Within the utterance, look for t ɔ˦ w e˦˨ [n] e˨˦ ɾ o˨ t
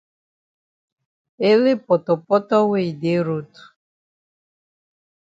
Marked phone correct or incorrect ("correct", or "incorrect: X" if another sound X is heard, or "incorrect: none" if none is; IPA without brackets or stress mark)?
incorrect: d